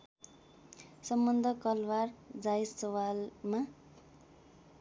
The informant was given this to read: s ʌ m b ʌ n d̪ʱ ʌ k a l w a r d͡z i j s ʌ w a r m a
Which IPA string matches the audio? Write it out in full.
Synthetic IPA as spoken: s ʌ m b ʌ n d̪ʱ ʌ k ʌ l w a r d͡z a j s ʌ w a l m a